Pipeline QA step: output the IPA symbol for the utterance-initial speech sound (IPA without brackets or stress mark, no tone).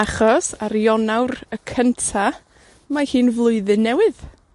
a